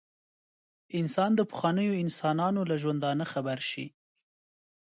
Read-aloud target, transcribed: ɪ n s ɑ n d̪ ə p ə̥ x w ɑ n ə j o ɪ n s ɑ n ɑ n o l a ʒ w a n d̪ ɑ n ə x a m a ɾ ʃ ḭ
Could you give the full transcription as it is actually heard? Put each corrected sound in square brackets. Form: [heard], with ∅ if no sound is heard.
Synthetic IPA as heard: ɪ n s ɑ n d̪ ə p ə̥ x w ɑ n ə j o ɪ n s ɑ n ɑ n o l a ʒ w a n d̪ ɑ n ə x a [b] a ɾ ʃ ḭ